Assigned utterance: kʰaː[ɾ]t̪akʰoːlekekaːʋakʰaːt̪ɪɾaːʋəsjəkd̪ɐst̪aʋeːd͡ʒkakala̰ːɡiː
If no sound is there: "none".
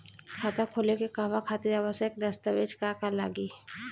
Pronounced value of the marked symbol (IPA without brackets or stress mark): none